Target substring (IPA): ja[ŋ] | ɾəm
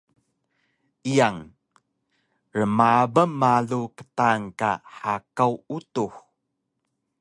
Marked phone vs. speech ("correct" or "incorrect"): correct